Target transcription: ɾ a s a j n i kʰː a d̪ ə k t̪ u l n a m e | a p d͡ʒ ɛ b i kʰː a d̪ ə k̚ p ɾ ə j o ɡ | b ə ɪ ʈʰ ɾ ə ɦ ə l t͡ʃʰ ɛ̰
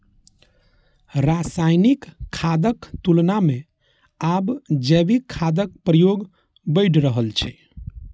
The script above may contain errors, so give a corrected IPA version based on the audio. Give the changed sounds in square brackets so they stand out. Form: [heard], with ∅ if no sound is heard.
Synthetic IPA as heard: ɾ a s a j n i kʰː a d̪ ə k t̪ u l n a m e | a [b] d͡ʒ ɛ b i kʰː a d̪ ə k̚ p ɾ ə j o ɡ | b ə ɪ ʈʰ ɾ ə ɦ ə l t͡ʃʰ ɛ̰